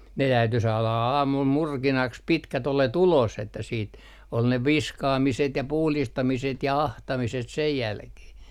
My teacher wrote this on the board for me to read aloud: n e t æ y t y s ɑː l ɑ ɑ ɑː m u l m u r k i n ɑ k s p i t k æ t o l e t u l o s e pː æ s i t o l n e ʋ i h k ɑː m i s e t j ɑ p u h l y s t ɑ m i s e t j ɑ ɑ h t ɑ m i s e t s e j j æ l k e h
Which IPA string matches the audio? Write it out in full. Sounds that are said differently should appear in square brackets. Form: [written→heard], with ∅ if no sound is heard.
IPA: n e t æ y t y s ɑː l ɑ ɑ ɑː m u l m u r k i n ɑ k s p i t k æ t o l e t u l o s e [pː→tː] æ s [i→iː] t o l n e ʋ i [h→s] k ɑː m i s e t j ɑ p u h l [y→i] s t ɑ m i s e t j ɑ ɑ h t ɑ m i s e t s e j j æ l k e h